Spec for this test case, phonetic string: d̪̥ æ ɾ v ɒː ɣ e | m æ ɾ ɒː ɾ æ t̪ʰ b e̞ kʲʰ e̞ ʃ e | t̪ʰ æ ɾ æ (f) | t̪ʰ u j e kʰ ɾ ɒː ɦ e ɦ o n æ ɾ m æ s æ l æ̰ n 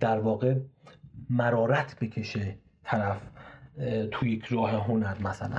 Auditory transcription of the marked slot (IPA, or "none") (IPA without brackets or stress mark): f